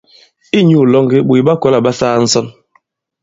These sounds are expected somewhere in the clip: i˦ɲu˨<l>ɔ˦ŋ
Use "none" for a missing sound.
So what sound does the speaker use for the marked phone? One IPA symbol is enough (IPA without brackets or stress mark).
l